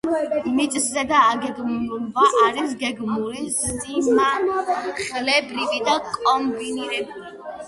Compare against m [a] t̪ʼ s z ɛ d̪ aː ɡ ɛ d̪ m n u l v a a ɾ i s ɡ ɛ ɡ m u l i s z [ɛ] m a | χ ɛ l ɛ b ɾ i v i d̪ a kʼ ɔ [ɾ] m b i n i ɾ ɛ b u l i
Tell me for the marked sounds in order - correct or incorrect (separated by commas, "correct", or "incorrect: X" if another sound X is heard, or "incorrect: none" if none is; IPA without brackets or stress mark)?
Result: incorrect: i, incorrect: i, incorrect: none